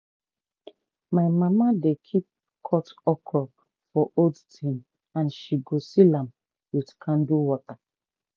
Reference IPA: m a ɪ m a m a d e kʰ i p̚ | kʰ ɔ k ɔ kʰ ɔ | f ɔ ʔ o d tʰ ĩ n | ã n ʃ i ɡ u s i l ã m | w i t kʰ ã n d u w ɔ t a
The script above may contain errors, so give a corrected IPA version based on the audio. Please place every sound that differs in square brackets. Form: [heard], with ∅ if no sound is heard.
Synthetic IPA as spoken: m a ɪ m a m a d e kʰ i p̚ | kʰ ɔ [t] ɔ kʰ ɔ | f ɔ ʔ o d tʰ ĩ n | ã n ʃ i ɡ [o] s i l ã m | w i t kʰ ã n d u w ɔ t a